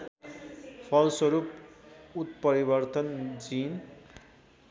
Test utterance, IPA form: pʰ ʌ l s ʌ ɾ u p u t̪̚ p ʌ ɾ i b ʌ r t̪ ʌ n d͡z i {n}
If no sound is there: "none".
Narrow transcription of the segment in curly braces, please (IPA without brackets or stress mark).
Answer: n